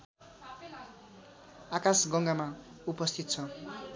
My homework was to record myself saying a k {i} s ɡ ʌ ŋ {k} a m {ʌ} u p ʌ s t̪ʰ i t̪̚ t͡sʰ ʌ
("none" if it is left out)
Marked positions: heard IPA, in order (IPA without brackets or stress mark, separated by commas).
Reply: a, ɡ, a